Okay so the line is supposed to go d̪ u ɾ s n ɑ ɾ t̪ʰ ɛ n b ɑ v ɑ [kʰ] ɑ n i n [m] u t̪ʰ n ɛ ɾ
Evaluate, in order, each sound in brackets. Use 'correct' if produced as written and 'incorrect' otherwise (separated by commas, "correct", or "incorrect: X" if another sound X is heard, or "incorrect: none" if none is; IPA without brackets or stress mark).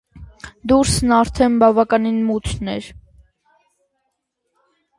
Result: incorrect: k, correct